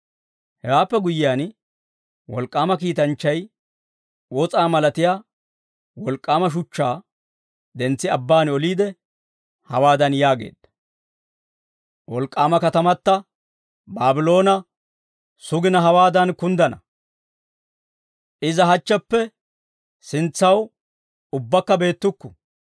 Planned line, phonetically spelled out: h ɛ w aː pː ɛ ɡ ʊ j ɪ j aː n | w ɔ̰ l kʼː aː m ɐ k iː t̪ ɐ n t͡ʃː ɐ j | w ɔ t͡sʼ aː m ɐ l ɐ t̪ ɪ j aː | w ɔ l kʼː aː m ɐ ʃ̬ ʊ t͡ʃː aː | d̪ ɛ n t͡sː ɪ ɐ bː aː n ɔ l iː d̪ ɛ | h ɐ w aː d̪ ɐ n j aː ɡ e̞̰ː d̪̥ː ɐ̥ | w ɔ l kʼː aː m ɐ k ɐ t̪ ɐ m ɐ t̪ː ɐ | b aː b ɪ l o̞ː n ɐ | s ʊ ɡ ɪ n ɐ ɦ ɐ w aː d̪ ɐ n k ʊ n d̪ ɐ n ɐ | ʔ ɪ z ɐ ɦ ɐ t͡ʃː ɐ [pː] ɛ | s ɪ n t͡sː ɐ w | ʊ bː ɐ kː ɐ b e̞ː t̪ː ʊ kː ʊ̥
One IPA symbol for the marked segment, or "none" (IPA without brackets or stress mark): pː